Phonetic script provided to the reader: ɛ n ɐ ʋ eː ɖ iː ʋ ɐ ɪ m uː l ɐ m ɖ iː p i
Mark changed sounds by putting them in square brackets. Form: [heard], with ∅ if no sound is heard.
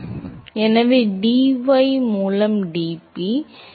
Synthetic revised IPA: ɛ n ɐ ʋ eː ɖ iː ʋ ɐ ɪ m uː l ɐ m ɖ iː p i